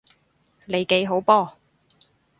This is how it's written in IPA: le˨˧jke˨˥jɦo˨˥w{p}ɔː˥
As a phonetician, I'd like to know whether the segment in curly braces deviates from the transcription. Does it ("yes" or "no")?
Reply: no